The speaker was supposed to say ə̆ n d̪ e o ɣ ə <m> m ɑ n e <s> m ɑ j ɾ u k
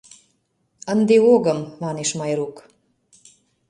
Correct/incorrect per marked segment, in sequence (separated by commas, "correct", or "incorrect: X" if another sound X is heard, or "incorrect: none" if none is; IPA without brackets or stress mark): correct, incorrect: ʃ